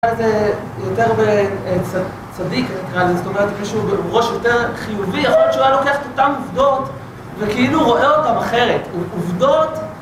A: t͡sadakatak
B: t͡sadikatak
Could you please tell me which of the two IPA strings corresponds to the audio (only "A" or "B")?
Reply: B